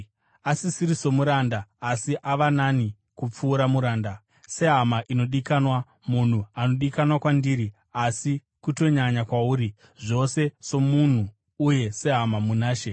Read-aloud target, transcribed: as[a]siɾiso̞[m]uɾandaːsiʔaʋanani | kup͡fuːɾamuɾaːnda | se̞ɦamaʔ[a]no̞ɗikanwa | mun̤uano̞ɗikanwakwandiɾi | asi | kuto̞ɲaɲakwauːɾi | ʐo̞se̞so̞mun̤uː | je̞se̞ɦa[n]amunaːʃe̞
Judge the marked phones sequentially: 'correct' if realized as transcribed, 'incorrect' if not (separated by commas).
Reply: incorrect, correct, incorrect, incorrect